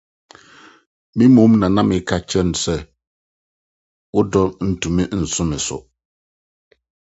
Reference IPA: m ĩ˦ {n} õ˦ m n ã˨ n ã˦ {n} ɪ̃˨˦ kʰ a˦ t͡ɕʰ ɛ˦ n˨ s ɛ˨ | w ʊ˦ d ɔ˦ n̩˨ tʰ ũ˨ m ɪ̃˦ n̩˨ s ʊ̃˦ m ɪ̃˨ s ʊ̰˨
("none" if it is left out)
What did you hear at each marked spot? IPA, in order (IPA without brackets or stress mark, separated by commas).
m, m